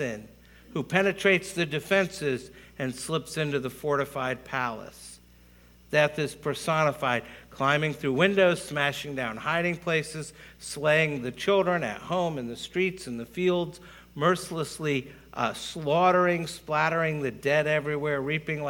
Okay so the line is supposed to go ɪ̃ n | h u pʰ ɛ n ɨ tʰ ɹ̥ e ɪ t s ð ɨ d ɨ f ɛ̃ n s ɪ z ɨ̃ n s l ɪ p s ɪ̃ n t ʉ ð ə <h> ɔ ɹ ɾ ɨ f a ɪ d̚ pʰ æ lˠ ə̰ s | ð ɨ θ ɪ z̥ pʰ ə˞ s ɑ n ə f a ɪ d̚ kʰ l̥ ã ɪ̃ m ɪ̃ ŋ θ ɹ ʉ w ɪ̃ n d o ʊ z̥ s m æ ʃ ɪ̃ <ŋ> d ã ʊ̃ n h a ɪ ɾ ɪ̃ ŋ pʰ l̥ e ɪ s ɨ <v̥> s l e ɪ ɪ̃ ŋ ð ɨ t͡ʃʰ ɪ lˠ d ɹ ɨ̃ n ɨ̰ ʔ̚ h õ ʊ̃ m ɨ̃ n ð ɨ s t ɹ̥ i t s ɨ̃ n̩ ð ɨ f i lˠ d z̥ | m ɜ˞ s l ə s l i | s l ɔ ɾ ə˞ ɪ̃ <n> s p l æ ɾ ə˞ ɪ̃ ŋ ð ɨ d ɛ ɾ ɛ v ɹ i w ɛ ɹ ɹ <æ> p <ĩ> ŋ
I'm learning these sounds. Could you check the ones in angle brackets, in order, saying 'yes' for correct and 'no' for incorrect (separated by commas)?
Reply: no, yes, no, no, no, no